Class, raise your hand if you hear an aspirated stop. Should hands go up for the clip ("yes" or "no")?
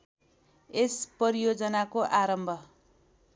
no